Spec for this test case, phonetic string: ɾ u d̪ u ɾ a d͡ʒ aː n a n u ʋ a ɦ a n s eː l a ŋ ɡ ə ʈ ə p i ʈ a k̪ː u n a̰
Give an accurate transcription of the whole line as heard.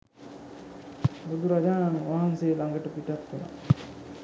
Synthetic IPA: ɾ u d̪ u ɾ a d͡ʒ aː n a n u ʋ a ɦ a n s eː l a ŋ ɡ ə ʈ ə p i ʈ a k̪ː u n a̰